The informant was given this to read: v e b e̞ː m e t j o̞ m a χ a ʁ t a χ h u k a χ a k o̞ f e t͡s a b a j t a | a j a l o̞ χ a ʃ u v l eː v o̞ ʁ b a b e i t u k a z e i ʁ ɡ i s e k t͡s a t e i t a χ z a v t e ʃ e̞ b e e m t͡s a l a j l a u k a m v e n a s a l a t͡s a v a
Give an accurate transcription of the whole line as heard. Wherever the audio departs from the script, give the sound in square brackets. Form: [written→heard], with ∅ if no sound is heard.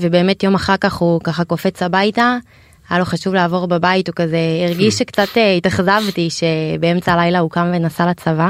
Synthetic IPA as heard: v e b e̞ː m e t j o̞ m a χ a ʁ [t→k] a χ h u k a χ a k o̞ f e t͡s a b a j t a | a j a l o̞ χ a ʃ u v l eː v o̞ ʁ b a b [e→a] i t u k a z e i ʁ ɡ i [s→ʃ] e k t͡s a t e i t a χ z a v t [e→i] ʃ e̞ b e e m t͡s a l a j l a u k a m v e n a s a l a t͡s a v a